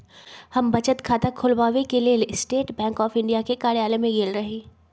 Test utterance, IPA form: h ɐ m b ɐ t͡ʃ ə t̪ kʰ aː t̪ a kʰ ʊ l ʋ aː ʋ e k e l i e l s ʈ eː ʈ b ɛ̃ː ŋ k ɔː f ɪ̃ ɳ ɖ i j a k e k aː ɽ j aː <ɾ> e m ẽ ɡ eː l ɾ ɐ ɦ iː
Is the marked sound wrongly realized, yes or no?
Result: yes